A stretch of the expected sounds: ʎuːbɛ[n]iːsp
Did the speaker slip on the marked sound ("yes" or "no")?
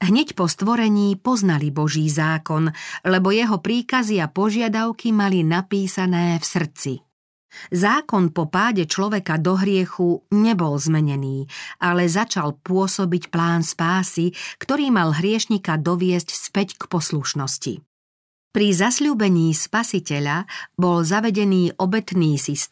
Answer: yes